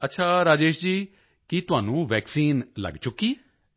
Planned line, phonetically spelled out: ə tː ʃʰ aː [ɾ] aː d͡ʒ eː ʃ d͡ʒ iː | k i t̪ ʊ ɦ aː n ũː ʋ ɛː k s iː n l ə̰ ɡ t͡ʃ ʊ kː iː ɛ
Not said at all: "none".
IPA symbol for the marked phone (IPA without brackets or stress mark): ɾ